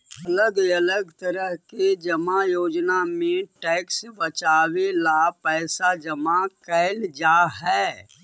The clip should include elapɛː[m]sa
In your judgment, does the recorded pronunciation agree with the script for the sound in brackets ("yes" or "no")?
no